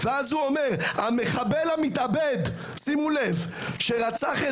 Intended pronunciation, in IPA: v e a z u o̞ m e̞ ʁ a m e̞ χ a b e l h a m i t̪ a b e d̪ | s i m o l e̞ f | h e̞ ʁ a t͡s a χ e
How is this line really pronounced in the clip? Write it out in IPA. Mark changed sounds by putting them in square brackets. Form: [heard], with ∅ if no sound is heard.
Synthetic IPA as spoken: v e a z u o̞ m e̞ ʁ a m e̞ χ a b e l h a m i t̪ a b e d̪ | s i m [u] l e̞ [v] | [ʃ] e̞ ʁ a t͡s a χ e